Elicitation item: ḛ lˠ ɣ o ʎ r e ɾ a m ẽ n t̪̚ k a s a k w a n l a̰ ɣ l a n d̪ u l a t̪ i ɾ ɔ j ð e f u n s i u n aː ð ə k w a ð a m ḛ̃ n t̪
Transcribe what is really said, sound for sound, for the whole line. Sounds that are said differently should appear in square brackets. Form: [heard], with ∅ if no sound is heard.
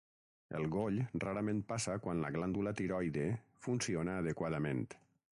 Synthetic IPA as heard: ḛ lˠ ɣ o ʎ r [a] ɾ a m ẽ n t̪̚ [p] a s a k w a n l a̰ ɣ l a n d̪ u l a t̪ i ɾ ɔ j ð e f u n s i [o] n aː ð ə k w a ð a m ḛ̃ n t̪